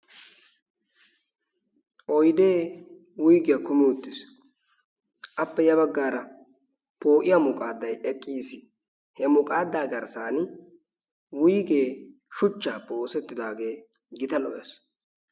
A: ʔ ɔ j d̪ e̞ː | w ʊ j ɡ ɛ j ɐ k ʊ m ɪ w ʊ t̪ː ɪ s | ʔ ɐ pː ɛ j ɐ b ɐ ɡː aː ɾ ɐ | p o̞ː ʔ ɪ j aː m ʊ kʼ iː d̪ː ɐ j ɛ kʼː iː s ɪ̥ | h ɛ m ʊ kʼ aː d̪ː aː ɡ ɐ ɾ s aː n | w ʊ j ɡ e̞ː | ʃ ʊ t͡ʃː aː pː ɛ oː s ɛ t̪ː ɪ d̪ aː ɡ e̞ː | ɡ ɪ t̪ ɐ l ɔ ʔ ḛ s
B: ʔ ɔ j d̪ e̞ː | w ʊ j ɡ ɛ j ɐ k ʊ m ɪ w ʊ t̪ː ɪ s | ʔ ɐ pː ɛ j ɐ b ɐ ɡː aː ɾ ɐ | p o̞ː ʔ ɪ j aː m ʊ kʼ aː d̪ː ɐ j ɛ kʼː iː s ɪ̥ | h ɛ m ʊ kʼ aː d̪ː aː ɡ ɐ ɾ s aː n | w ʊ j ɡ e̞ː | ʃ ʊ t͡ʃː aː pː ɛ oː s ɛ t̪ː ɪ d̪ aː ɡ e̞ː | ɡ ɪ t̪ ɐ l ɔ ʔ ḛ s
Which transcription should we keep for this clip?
B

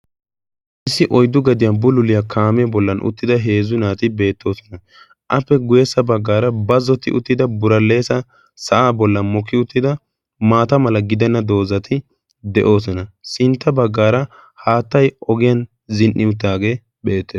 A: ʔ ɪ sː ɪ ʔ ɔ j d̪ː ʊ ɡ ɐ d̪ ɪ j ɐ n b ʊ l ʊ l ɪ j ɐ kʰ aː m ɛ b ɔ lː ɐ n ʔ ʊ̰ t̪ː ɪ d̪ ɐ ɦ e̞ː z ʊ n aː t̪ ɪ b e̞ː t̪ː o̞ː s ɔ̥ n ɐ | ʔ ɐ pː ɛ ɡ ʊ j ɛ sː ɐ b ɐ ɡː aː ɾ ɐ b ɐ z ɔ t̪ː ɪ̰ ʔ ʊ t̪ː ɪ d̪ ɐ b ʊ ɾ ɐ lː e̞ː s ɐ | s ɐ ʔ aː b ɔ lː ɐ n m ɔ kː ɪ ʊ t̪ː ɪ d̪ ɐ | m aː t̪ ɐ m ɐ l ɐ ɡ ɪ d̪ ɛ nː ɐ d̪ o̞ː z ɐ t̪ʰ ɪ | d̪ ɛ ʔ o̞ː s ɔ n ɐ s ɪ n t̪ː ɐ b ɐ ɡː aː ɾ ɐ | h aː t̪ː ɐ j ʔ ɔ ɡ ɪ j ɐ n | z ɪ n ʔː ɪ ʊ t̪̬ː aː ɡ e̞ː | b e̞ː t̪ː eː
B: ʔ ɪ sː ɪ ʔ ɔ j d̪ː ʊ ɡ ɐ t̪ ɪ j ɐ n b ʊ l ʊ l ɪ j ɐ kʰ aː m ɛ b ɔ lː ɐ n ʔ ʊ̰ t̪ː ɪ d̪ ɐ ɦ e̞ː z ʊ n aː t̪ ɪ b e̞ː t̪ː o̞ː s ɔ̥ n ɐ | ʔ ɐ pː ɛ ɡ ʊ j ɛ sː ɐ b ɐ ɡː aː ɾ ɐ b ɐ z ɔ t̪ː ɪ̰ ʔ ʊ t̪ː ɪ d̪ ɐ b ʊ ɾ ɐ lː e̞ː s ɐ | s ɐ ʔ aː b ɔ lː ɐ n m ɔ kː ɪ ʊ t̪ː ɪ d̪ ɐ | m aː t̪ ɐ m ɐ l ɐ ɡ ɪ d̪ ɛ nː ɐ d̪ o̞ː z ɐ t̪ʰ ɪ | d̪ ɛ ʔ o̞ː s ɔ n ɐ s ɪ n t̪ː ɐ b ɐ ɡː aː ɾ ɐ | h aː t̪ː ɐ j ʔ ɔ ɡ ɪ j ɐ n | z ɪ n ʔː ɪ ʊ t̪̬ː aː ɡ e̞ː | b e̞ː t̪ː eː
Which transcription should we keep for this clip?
A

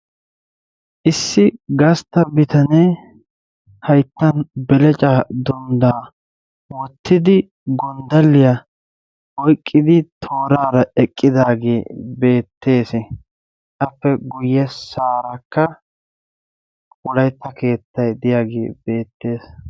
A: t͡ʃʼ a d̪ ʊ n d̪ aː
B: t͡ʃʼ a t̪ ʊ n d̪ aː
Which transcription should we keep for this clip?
A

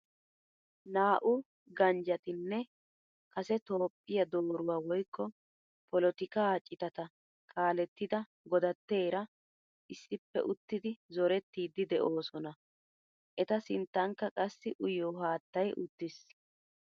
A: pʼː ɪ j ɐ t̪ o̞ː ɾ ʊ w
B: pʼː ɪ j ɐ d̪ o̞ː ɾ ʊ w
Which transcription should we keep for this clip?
B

